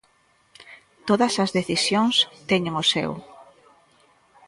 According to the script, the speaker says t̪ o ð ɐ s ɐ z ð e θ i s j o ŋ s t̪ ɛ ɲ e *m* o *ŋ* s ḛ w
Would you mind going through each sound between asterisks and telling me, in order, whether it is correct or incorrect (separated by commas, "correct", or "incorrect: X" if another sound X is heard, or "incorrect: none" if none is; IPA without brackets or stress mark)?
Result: incorrect: ŋ, incorrect: none